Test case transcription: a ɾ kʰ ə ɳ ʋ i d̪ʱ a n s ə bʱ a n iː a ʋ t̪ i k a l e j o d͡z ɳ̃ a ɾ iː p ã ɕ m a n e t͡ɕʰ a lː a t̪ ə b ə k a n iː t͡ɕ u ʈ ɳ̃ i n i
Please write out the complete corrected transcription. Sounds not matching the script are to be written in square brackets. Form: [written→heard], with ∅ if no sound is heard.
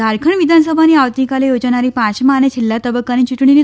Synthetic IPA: a ɾ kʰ ə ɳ ʋ i d̪ʱ a n s ə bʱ a n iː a ʋ t̪ i k a l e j o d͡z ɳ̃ a ɾ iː p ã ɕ m a n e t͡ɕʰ [a→i] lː a t̪ ə b ə k a n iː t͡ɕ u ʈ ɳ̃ i n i

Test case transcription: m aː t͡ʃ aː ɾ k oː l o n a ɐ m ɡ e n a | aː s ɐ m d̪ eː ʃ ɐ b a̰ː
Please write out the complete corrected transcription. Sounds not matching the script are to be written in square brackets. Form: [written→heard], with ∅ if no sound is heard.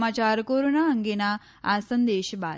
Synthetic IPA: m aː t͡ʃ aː ɾ k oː [l→ɾ] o n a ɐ [m→ŋ] ɡ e n a | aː s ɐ [m→n] d̪ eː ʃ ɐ b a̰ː

